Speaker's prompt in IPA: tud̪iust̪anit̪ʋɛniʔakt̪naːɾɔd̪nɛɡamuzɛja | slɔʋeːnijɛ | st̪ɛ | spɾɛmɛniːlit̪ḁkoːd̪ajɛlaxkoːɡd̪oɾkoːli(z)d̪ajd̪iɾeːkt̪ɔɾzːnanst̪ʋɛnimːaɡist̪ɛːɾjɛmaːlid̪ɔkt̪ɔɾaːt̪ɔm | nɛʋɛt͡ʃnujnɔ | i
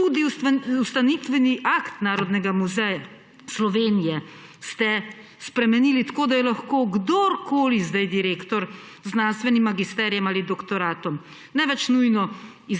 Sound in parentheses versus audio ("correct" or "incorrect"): correct